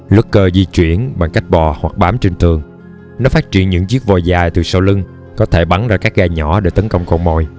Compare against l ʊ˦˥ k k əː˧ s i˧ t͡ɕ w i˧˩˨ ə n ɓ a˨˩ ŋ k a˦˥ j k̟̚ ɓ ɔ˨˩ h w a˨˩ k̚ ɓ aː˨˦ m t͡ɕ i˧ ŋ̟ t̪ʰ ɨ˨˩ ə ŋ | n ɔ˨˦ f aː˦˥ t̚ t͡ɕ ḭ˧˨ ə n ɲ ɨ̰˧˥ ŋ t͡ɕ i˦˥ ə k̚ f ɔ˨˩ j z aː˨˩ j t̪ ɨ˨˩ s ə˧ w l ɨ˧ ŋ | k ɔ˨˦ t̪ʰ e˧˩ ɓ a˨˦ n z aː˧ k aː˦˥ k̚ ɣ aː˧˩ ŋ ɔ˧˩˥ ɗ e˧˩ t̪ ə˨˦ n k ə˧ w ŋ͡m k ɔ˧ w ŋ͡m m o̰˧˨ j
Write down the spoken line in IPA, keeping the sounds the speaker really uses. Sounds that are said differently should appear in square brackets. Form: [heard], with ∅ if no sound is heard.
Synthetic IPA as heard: l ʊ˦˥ k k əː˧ [z] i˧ t͡ɕ w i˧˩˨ ə n ɓ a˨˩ ŋ k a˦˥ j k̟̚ ɓ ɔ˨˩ h w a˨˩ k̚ ɓ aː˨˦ m t͡ɕ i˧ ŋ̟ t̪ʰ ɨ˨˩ ə ŋ | n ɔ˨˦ f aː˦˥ t̚ t͡ɕ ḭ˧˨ ə n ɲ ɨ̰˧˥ ŋ t͡ɕ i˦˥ ə k̚ [v] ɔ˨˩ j z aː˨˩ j t̪ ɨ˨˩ s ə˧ w l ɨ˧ ŋ | k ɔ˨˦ t̪ʰ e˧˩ ɓ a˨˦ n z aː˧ k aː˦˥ k̚ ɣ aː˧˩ [ɲ] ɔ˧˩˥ ɗ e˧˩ t̪ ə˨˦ n k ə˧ w ŋ͡m k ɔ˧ w ŋ͡m m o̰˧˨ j